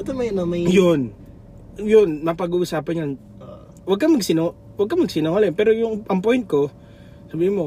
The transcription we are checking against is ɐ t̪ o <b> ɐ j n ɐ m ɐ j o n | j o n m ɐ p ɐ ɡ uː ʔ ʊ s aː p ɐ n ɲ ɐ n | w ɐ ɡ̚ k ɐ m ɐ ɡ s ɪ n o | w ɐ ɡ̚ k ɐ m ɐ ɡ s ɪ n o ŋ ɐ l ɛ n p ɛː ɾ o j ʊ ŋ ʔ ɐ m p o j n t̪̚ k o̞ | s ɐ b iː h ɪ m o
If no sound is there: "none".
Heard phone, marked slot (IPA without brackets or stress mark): m